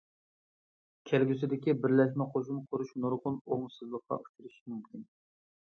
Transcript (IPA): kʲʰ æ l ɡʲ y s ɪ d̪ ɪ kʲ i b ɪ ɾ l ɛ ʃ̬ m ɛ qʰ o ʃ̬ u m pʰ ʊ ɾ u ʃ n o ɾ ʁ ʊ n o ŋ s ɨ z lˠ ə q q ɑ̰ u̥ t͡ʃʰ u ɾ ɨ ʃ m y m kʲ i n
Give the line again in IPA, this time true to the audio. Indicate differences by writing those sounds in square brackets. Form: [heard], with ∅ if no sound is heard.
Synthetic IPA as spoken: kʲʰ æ l ɡʲ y s ɪ d̪ ɪ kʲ i b ɪ ɾ l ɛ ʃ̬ m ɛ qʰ o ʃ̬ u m [qʰ] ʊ ɾ u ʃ n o ɾ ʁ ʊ n o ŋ s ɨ z lˠ ə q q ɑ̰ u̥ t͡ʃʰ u ɾ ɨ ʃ m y m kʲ i n